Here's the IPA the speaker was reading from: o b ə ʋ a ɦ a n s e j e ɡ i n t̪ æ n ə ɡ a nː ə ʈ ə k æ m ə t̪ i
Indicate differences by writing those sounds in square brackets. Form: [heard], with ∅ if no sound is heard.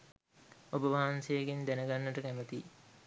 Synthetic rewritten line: o b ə ʋ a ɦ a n s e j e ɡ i n [d̪] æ n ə ɡ a nː ə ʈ ə k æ m ə t̪ i